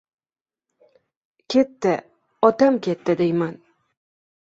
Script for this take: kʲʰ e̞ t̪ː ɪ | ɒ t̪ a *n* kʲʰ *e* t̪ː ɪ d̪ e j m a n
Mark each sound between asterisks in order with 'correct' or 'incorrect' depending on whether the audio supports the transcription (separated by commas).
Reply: incorrect, correct